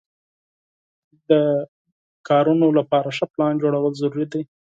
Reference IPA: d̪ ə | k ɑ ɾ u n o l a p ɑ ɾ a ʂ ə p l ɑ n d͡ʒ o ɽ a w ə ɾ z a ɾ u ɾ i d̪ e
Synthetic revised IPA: d̪ ə | k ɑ ɾ u n o l a p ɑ ɾ a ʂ ə p l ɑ n d͡ʒ o ɽ a w ə l z a ɾ u ɾ i d̪ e